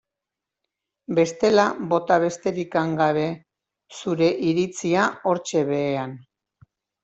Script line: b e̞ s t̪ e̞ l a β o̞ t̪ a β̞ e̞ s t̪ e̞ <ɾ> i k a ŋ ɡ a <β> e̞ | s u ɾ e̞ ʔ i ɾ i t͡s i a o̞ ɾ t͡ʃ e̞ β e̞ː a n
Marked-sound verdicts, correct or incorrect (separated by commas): correct, correct